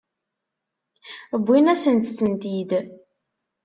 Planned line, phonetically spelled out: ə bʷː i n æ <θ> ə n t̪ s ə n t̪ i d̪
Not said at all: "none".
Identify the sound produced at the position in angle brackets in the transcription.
s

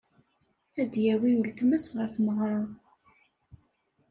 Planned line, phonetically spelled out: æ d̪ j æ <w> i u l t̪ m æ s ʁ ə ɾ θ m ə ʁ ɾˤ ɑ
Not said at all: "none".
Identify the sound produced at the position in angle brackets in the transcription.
w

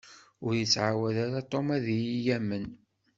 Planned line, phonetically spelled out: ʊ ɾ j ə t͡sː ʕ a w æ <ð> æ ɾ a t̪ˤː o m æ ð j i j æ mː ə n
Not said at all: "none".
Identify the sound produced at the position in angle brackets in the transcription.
ð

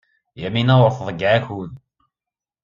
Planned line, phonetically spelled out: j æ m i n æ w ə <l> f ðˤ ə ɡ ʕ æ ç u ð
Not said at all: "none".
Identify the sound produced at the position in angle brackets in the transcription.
ɾ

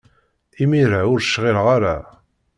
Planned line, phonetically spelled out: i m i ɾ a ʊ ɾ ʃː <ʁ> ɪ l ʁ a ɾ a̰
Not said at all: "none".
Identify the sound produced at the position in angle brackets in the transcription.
ʁ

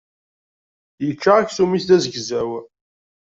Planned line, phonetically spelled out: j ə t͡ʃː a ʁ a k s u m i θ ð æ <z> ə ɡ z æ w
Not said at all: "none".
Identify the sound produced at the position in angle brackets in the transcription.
z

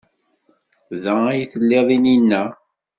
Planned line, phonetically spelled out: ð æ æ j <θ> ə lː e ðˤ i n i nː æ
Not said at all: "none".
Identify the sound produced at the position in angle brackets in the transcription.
θ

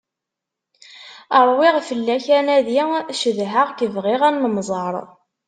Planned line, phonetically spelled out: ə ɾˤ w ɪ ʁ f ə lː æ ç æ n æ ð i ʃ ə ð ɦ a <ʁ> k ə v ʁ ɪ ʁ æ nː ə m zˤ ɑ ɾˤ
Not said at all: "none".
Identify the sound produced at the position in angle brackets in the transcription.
ʁ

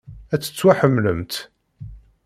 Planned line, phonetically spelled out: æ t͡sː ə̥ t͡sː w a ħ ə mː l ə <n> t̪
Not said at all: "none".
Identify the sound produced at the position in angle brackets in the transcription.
m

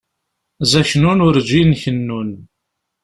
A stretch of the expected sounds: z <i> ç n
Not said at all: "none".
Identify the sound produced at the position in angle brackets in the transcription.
æ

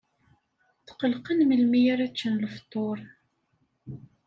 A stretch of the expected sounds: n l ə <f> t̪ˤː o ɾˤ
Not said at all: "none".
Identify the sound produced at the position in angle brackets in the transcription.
f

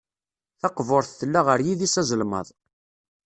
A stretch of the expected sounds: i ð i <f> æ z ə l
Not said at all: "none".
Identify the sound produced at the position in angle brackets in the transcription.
s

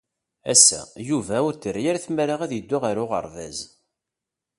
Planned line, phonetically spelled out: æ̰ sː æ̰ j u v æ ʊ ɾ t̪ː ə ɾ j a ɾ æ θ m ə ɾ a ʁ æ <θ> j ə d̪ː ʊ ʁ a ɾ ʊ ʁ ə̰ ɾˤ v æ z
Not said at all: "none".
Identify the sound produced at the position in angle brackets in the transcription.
ð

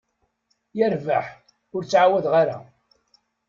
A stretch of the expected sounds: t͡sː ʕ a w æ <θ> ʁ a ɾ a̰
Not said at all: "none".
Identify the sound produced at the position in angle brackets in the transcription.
ð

